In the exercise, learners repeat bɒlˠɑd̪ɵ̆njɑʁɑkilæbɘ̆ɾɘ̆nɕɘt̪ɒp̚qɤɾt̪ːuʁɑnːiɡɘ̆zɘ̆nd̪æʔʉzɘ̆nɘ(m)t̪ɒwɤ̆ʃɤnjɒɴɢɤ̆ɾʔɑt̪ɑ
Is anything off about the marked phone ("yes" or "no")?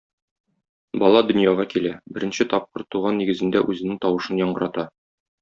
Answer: yes